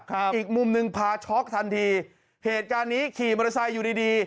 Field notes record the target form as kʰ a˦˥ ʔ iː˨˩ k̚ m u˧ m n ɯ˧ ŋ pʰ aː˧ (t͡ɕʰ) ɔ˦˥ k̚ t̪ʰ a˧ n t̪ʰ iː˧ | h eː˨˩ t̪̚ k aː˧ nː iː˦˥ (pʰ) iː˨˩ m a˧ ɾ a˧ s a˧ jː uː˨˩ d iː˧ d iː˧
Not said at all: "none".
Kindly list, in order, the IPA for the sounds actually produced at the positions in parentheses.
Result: t͡ɕʰ, kʰ

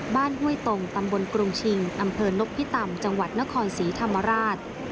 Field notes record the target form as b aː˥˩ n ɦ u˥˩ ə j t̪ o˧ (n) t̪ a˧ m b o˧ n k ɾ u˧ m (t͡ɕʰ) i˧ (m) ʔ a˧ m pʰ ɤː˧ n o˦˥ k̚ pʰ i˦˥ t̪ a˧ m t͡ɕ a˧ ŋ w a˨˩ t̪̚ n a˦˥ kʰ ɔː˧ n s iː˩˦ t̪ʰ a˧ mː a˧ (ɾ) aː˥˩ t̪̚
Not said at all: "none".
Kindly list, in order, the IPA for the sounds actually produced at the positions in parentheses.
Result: ŋ, t͡ɕʰ, ŋ, ɾ

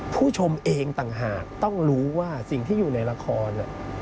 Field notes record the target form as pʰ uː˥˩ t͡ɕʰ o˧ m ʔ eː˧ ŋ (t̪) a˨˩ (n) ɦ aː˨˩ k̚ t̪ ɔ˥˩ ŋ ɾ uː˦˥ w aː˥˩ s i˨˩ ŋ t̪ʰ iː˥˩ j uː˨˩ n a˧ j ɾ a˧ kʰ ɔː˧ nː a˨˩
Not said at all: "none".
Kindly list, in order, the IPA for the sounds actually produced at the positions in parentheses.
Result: t̪, ŋ

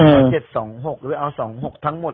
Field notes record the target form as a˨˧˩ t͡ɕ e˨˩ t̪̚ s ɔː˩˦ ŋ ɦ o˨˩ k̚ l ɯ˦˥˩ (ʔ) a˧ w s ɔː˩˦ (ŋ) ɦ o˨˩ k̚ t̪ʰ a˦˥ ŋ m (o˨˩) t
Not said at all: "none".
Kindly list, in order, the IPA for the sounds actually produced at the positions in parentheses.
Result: ʔ, ŋ, o˨˩

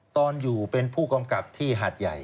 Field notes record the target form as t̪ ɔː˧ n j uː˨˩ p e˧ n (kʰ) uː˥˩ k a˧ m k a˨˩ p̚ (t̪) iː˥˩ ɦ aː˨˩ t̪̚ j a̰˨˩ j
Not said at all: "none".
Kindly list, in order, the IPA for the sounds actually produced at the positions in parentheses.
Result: pʰ, t̪ʰ

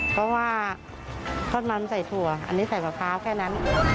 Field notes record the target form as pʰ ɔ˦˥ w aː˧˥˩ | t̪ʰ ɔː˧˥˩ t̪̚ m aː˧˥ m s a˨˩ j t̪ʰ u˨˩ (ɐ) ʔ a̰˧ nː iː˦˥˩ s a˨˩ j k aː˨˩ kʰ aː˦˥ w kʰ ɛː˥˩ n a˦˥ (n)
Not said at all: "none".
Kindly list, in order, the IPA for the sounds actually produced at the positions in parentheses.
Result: ɐ, n

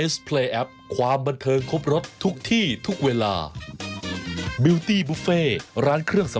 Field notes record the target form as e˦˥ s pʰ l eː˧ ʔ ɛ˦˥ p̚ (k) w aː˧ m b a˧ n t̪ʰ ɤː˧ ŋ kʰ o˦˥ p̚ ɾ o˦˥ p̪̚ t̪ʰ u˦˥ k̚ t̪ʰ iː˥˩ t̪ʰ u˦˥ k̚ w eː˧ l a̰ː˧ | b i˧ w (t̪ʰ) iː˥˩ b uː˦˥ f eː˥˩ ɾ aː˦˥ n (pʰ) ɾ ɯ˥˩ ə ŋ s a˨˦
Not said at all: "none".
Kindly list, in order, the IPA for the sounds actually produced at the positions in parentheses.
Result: kʰ, t̪, kʰ

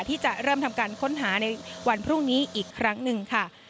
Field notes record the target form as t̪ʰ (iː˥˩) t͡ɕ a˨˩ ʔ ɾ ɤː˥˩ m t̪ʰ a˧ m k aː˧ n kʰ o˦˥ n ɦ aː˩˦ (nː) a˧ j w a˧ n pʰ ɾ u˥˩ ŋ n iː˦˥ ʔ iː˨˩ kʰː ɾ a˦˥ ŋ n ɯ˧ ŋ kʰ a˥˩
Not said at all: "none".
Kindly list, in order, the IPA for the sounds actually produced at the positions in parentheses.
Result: iː˥˩, n

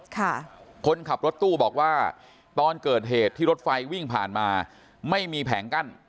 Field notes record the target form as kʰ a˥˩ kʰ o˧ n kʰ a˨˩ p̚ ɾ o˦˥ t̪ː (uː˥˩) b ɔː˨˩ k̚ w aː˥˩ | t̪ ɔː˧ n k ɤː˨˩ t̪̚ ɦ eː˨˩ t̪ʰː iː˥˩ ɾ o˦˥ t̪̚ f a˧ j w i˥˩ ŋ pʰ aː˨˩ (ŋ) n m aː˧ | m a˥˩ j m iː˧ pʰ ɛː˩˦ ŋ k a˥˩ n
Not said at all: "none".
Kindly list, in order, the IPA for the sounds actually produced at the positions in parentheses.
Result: uː˥˩, none

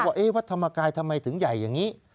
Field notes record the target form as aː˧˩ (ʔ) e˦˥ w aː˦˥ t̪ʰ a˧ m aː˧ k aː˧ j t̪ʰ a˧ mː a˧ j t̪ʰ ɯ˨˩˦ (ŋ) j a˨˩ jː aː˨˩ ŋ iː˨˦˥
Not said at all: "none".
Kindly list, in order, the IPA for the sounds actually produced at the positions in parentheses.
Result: ʔ, ŋ

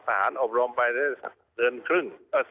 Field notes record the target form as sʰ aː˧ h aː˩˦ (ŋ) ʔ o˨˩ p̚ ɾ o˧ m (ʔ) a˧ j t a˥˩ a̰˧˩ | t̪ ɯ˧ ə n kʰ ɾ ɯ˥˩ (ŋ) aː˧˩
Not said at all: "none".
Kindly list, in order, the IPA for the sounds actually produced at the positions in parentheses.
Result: n, p, ŋ

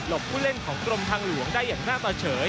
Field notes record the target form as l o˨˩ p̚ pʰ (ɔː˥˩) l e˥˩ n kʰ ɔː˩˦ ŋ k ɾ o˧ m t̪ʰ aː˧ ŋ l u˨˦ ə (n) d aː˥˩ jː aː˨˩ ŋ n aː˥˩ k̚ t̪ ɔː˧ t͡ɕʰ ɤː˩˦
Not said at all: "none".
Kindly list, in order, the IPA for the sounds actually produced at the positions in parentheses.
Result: uː˥˩, ŋ

